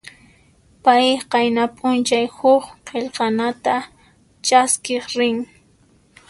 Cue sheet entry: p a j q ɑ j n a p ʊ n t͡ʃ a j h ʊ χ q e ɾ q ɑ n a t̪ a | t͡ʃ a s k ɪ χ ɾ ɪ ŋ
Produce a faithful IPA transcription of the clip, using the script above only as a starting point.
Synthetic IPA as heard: p a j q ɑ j n a pʼ ʊ n t͡ʃ a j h ʊ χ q e ʎ q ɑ n a t̪ a | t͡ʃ a s k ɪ χ ɾ ɪ ŋ